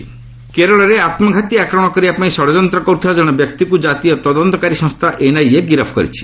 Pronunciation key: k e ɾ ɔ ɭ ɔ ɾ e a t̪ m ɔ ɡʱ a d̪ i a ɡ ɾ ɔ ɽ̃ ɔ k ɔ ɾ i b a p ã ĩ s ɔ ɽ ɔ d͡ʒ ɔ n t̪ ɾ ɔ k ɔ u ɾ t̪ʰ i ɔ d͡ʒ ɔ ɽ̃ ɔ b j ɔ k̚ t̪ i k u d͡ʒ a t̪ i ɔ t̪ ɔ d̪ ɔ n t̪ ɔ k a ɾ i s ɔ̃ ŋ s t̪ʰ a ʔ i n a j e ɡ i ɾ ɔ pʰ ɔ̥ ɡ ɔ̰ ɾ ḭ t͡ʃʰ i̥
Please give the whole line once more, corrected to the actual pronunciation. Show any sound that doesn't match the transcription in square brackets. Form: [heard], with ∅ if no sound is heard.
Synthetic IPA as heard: k e ɾ ɔ ɭ ɔ ɾ e a t̪ m ɔ ɡʱ a [t̪] i a [k] ɾ ɔ ɽ̃ ɔ k ɔ ɾ i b a p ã ĩ s ɔ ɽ ɔ d͡ʒ ɔ n t̪ ɾ ɔ k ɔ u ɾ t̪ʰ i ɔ d͡ʒ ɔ ɽ̃ ɔ b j ɔ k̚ t̪ i k u d͡ʒ a t̪ i ɔ t̪ ɔ d̪ ɔ n t̪ ɔ k a ɾ i s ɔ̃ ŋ s t̪ʰ a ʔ [e] n a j e ɡ i ɾ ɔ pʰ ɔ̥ [k] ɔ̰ ɾ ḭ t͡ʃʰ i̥

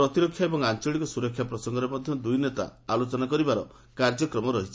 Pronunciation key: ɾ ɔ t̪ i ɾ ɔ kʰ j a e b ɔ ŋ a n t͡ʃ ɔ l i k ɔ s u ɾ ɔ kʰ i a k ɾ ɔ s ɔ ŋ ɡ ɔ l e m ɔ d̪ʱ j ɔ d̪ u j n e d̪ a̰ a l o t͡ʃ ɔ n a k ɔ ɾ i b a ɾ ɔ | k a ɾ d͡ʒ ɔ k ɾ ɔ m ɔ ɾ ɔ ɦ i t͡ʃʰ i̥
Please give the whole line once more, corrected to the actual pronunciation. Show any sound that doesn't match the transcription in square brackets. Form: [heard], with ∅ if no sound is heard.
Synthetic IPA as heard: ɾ ɔ t̪ i ɾ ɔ kʰ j a e b ɔ ŋ a n t͡ʃ ɔ [ɭ] i k ɔ s u ɾ ɔ kʰ [j] a [p] ɾ ɔ s ɔ ŋ ɡ ɔ [ɾ] e m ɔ d̪ʱ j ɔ d̪ u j n e [t̪] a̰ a l o t͡ʃ ɔ n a k ɔ ɾ i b a ɾ ɔ | k a ɾ d͡ʒ ɔ k ɾ ɔ m ɔ ɾ ɔ ɦ i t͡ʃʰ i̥

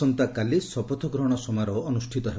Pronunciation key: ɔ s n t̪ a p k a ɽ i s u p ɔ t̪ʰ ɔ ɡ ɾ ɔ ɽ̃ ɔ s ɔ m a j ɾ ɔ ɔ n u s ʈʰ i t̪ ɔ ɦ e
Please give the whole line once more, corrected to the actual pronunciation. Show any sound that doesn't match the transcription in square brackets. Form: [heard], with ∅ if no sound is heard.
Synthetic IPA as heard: ɔ [∅] n t̪ a [∅] k a [l] i s [ɔ] p ɔ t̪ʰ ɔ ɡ ɾ ɔ ɽ̃ ɔ s ɔ m a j ɾ ɔ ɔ n u s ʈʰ i t̪ ɔ ɦ e

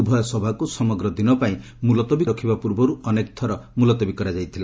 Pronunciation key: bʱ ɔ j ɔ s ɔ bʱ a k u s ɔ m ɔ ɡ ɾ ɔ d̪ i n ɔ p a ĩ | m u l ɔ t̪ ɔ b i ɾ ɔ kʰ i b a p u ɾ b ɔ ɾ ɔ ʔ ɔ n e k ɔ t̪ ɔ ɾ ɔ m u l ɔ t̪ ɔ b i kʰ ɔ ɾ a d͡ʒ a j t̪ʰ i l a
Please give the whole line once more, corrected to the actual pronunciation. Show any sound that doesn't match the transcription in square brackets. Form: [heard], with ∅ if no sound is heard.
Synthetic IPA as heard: bʱ ɔ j ɔ s ɔ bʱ a k u s ɔ m ɔ ɡ ɾ ɔ d̪ i n ɔ p a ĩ | m u l ɔ t̪ ɔ b i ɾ ɔ kʰ i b a p u ɾ b ɔ ɾ [u] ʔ ɔ n e k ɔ [t̪ʰ] ɔ ɾ ɔ m u l ɔ t̪ ɔ b i [k] ɔ ɾ a d͡ʒ a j t̪ʰ i l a

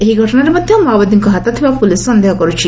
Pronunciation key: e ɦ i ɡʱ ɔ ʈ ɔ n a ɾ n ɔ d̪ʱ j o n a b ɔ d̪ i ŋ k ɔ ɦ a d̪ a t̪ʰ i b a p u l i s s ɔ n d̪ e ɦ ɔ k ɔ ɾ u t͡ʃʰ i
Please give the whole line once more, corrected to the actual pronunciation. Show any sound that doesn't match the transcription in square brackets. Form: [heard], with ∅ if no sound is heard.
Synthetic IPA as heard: e ɦ i ɡʱ ɔ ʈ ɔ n a ɾ [m] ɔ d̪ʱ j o [m] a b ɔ d̪ i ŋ k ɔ ɦ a [t̪] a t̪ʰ i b a p u l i s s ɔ n d̪ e ɦ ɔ k ɔ ɾ u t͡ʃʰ i

